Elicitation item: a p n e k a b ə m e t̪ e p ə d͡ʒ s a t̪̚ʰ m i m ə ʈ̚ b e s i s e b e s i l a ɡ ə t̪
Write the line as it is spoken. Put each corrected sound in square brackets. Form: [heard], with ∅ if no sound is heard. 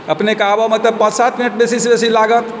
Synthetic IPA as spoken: [ə] p n e k a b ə m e t̪ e p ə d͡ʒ s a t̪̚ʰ m i [n] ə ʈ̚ b e s i s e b e s i l a ɡ ə t̪

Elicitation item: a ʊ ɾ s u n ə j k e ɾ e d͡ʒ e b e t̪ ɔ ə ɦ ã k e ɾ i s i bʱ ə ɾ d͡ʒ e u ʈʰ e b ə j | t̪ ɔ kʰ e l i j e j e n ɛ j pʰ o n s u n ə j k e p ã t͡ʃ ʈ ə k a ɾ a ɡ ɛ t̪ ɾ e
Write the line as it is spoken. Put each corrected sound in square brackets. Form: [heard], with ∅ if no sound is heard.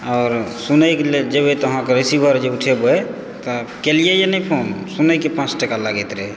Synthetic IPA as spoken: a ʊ ɾ s u n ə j k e [l] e d͡ʒ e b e t̪ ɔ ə ɦ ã k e ɾ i s i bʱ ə ɾ d͡ʒ e u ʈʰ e b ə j | t̪ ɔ [k] e l i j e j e n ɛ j pʰ o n s u n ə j k e p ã t͡ʃ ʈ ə k a [l] a ɡ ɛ t̪ ɾ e

